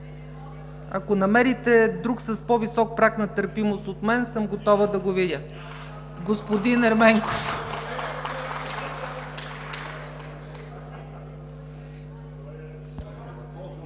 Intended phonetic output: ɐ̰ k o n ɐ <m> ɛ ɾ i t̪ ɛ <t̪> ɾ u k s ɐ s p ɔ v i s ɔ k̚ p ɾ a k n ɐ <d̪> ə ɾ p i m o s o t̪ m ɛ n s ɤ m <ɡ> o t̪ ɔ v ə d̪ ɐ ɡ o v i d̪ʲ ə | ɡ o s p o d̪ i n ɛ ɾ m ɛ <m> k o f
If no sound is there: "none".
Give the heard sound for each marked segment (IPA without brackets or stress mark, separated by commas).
m, d̪, t̪, ɡ, ŋ